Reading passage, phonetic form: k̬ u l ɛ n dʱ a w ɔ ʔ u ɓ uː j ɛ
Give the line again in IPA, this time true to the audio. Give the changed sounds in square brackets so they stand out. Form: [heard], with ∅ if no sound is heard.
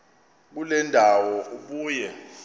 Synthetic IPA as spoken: k̬ u l ɛ n dʱ a w ɔ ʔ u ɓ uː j ɛ